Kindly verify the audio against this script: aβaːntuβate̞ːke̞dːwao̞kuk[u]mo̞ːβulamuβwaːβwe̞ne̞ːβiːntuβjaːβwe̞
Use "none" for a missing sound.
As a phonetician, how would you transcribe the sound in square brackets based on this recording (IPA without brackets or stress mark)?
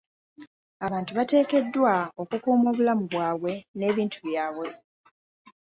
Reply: uː